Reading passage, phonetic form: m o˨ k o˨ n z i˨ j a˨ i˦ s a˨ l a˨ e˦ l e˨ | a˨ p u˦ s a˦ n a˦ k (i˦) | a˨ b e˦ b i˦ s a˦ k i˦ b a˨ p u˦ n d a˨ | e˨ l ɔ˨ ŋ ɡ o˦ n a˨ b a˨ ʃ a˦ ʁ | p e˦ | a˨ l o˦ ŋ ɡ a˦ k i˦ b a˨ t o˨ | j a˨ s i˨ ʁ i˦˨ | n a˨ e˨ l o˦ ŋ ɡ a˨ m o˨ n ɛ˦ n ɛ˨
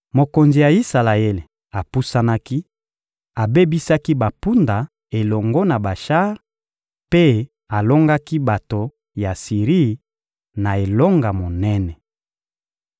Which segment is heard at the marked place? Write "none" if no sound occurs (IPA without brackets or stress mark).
i˦